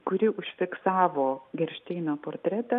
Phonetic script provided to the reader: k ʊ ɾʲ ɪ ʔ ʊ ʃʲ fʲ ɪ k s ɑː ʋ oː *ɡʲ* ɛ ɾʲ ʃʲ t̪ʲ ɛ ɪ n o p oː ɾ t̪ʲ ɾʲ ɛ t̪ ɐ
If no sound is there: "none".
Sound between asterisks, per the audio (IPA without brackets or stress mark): ɡʲ